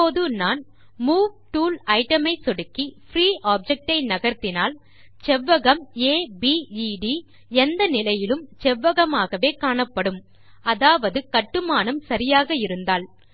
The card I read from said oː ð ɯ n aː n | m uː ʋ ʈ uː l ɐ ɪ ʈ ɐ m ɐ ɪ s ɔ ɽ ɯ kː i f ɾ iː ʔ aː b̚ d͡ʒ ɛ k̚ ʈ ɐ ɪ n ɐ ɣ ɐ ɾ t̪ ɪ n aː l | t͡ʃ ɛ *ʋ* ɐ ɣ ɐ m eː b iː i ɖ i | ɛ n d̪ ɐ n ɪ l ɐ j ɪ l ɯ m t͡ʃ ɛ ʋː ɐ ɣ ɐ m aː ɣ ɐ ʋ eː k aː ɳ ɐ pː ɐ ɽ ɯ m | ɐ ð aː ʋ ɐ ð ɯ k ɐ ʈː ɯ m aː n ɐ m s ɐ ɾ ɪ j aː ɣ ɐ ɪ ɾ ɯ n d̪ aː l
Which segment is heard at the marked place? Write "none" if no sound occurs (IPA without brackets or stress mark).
ʋː